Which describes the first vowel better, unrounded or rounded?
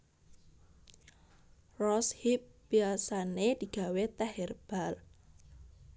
rounded